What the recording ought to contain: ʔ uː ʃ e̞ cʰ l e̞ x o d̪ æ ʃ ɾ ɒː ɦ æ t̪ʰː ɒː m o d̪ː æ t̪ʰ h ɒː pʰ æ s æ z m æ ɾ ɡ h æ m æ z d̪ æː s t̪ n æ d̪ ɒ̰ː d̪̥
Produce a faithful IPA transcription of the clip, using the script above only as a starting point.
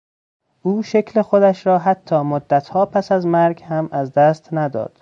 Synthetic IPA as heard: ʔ uː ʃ e̞ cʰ l e̞ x o d̪ æ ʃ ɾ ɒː ɦ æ t̪ʰː ɒː m o d̪ː æ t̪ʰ h ɒː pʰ æ s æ z m æ ɾ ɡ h æ m æ z d̪ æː s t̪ n æ d̪ ɒ̰ː d̪̥